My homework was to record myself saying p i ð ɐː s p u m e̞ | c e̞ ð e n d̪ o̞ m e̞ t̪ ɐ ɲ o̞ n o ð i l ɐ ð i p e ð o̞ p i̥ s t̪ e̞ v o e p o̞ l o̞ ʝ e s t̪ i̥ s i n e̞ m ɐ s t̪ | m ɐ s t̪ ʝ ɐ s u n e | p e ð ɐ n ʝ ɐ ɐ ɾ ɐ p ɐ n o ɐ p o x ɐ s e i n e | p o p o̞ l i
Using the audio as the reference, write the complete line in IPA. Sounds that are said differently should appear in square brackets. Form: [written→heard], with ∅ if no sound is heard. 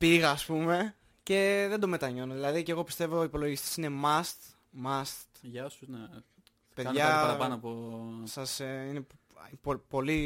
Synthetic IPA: p i [ð→ɣ] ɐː s p u m e̞ | c e̞ ð e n d̪ o̞ m e̞ t̪ ɐ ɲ o̞ n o ð i l ɐ ð i [p→c] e [ð→ɣ] o̞ p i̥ s t̪ e̞ v o [e→i] p o̞ l o̞ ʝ [e→i] s t̪ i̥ s i n e̞ m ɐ s t̪ | m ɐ s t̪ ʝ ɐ s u n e | p e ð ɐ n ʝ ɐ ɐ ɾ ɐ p ɐ n o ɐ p o [x→s] ɐ s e i n e | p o p o̞ l i